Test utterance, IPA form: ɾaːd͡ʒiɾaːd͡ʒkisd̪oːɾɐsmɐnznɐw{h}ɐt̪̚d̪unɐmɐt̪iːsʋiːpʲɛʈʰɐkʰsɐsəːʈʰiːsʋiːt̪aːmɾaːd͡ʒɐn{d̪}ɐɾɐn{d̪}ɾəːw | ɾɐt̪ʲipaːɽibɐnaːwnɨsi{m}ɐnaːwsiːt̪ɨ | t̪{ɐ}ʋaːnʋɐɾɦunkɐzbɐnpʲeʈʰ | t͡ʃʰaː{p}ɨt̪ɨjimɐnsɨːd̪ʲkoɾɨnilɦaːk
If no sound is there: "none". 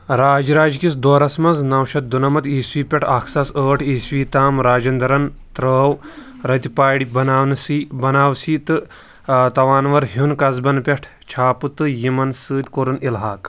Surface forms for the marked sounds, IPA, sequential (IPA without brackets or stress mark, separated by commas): ʃ, d̪, t̪, b, ɐ, p